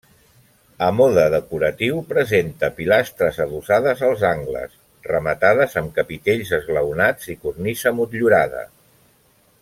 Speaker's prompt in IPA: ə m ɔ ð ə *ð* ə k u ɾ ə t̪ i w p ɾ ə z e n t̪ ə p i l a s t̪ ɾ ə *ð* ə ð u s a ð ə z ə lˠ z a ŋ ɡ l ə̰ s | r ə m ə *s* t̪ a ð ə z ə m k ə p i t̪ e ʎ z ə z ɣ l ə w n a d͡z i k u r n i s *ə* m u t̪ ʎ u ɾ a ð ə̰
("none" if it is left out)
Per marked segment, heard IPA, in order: ð, z, none, ə

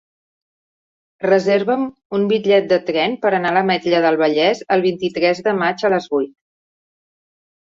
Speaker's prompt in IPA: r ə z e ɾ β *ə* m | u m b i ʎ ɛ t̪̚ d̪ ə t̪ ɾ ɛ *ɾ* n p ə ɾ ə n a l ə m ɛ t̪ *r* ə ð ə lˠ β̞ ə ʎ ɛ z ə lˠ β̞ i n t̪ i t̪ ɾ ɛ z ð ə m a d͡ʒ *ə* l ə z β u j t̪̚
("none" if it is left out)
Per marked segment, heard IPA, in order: ə, none, ʎ, ə

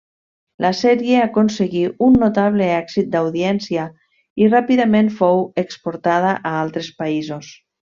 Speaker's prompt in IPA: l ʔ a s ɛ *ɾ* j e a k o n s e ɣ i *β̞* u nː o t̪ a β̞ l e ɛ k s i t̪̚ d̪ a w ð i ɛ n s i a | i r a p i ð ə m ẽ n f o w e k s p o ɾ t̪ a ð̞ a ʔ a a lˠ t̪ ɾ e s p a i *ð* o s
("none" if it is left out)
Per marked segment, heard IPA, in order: ɾ, none, z

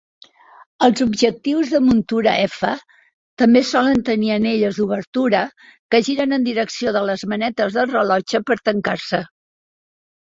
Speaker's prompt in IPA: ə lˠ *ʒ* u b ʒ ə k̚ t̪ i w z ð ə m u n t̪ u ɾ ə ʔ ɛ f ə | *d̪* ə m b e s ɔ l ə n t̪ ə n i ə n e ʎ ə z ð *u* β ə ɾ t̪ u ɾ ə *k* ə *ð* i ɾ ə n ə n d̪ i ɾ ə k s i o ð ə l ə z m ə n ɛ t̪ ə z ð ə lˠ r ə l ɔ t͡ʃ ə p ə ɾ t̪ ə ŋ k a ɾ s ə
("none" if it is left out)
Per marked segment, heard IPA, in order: z, t̪, u, k, ʒ

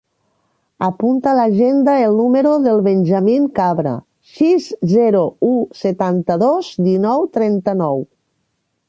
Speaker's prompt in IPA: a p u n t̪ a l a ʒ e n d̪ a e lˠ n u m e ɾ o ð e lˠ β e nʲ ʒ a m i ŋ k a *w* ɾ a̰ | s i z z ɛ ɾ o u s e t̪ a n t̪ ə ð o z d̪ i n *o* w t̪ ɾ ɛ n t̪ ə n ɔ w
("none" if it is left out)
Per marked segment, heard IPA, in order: β, ɔ

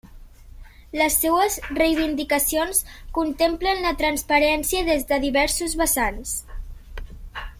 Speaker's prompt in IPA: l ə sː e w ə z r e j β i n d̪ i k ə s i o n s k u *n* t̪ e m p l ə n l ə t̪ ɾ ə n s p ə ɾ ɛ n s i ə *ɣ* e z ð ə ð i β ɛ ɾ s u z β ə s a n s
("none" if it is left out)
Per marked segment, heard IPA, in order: n, ð

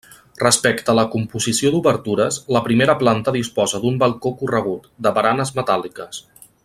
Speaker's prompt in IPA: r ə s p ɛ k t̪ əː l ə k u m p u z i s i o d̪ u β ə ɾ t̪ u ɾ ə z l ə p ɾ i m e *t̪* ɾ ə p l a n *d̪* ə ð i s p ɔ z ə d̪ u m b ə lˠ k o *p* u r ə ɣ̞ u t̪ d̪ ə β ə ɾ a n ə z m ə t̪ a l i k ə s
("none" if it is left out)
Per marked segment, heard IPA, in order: none, t̪, k

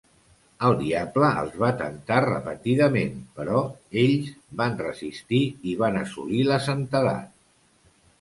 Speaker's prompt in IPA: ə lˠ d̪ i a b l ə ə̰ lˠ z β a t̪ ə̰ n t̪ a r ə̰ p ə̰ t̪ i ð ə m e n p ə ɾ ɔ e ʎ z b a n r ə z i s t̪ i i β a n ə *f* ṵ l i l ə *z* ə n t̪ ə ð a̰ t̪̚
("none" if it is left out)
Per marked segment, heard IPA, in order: s, s

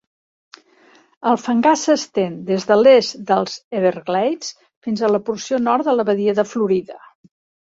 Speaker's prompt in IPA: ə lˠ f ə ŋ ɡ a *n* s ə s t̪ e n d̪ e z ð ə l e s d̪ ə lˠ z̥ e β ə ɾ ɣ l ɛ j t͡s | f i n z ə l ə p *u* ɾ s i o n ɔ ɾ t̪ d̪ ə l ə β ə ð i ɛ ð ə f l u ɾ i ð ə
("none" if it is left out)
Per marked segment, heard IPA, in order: none, u

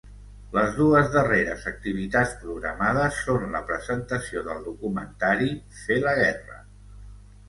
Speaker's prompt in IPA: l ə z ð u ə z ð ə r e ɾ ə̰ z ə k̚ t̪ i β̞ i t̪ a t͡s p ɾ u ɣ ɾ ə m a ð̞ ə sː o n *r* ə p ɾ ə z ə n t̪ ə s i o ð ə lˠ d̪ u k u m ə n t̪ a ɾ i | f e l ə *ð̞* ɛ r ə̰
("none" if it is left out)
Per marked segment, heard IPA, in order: l, ɣ̞

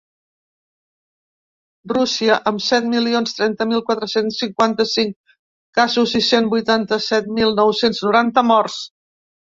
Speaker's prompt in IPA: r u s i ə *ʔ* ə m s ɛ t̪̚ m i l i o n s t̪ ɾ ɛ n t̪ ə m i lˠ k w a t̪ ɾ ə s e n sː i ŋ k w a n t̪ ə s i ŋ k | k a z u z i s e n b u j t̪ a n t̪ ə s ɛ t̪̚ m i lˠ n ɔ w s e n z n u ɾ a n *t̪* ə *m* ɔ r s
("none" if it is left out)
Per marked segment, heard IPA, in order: ʔ, t̪, m

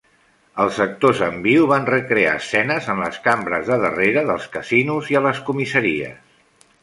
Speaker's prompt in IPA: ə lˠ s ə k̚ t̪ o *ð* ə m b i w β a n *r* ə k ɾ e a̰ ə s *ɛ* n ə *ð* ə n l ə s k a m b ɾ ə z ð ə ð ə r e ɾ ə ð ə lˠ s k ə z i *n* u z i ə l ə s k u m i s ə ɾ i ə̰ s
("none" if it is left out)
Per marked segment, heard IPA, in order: z, r, ɛ, z, n

